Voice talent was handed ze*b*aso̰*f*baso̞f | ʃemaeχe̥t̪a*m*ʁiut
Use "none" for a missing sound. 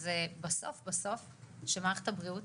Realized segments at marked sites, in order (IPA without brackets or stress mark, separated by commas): b, f, b